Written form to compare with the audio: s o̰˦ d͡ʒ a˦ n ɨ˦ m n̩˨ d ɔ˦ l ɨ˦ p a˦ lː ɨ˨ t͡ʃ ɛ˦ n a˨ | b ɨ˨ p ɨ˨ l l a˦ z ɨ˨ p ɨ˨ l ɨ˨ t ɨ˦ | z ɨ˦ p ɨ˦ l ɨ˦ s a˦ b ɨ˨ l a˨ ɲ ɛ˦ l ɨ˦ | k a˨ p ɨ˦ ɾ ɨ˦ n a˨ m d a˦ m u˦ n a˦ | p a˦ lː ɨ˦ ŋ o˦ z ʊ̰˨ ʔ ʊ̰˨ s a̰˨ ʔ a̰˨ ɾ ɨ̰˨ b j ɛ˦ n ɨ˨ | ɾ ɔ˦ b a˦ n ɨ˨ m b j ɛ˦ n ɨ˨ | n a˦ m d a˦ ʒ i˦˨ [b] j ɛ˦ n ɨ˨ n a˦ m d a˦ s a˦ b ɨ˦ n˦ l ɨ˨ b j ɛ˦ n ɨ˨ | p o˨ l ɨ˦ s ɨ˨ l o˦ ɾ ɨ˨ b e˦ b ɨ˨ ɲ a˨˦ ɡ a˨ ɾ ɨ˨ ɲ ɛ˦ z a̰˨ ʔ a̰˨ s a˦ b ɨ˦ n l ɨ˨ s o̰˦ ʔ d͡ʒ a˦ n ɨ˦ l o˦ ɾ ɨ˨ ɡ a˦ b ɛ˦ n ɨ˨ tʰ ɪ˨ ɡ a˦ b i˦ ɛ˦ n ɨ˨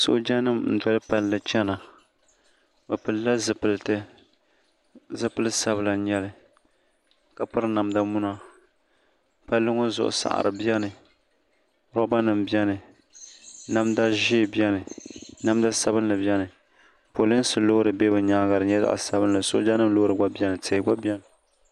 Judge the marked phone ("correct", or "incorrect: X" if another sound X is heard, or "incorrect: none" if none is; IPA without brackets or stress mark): correct